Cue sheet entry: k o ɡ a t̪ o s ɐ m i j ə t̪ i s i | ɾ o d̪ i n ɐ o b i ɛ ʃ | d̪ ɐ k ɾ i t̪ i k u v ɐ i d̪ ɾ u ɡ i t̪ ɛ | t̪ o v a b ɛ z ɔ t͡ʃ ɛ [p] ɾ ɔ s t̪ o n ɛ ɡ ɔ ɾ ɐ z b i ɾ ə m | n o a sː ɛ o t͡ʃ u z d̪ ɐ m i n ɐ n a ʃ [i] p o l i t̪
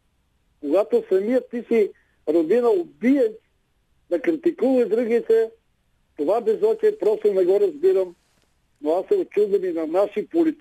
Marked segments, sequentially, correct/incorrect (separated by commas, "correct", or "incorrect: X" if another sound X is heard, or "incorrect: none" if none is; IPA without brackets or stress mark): correct, correct